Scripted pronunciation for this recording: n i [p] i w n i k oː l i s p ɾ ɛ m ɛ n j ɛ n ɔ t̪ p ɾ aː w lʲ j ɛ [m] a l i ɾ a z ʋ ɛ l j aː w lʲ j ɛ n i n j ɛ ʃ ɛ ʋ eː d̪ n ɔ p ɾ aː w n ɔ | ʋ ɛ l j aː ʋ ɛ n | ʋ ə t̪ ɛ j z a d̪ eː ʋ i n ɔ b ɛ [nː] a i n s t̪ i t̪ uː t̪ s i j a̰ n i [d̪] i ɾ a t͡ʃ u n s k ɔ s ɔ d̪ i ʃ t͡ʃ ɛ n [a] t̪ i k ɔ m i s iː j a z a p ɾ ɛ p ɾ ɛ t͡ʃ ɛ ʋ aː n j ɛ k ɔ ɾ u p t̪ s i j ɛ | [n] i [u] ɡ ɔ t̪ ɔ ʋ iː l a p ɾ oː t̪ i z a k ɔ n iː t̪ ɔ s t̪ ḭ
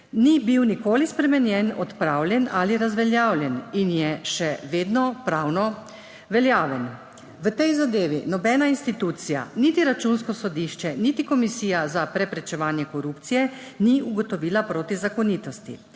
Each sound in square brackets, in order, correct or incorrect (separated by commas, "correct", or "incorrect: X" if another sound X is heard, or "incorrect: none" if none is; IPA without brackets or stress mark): incorrect: b, incorrect: n, incorrect: n, incorrect: t̪, incorrect: i, correct, correct